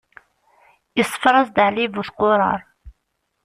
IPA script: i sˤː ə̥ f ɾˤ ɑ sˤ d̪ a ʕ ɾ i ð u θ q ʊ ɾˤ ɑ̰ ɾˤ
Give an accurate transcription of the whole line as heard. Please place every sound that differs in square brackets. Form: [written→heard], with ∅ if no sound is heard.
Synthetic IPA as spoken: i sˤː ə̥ f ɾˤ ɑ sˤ d̪ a ʕ [ɾ→l] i [ð→v] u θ q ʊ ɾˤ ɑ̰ ɾˤ